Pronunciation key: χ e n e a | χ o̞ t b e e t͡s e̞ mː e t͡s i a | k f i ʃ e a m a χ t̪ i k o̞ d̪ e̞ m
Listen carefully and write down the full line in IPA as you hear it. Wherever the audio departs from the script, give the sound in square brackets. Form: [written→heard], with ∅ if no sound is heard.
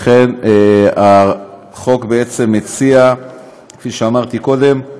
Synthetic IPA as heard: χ e n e a | χ o̞ [t→k] b e e t͡s e̞ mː e t͡s i a | k f i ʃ e a m a [χ→ʁ] t̪ i k o̞ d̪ e̞ m